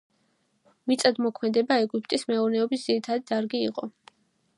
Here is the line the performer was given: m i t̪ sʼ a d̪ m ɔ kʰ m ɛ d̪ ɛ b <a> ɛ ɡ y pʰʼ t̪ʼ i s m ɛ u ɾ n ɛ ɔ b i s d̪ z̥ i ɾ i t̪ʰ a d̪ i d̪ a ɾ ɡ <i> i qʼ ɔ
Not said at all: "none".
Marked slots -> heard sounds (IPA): a, i

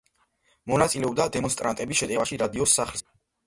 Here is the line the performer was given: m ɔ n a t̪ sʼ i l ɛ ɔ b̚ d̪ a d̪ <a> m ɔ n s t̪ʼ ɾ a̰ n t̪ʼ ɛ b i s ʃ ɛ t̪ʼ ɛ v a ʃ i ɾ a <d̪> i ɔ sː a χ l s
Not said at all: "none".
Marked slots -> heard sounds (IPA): ɛ, d̪

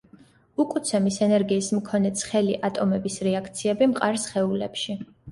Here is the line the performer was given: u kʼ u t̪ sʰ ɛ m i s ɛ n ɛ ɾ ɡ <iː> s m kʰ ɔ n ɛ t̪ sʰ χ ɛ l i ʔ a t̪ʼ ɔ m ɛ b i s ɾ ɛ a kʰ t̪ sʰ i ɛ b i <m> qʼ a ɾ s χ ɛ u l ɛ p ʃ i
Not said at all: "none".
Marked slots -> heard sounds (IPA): iː, m

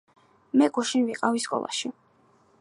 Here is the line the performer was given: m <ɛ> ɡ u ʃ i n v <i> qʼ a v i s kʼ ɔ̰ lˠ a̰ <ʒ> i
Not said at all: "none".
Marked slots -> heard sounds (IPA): ɛ, i, ʃ

